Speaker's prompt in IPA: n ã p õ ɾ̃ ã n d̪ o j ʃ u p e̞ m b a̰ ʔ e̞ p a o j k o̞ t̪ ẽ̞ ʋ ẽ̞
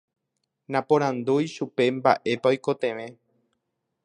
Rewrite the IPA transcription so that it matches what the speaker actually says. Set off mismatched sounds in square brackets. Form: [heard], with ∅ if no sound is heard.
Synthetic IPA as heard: n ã p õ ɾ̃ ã n d̪ [u] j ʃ u p e̞ m b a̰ ʔ e̞ p a o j k o̞ t̪ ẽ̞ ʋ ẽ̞